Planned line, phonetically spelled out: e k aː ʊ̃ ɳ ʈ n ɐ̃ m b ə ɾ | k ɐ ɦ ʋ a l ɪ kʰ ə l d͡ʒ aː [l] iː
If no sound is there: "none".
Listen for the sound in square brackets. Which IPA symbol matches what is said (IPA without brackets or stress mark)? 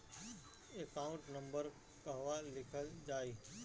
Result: none